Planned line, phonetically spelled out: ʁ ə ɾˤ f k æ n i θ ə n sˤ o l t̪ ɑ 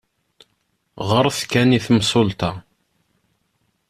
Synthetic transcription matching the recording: ʁ ə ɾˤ θ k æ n i θ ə m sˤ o l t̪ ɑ

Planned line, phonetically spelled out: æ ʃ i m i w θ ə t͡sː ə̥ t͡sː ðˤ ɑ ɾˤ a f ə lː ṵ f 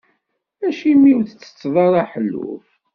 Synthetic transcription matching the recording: æ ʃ i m i w θ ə t͡sː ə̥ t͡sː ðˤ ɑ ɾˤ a ħ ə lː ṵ f

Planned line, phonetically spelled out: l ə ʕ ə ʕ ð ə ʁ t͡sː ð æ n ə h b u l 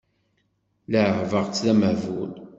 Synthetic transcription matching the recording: l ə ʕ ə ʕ v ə ʁ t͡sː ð æ m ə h v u l

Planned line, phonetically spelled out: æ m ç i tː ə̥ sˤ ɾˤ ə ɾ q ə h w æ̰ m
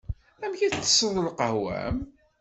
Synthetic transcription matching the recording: æ m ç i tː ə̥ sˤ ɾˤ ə l q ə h w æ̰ m

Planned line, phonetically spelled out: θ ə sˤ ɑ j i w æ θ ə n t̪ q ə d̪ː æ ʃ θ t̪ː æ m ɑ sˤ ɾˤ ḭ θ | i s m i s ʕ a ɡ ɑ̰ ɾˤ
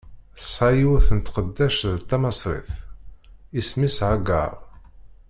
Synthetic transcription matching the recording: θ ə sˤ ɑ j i w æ θ ə n t̪ q ə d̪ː æ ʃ ð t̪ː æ m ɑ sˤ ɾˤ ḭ θ | i s m i s ʕ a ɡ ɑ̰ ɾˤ

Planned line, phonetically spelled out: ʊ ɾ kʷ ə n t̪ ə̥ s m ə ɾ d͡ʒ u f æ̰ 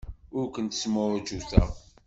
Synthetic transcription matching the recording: ʊ ɾ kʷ ə n t̪ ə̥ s m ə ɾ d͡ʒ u θ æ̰

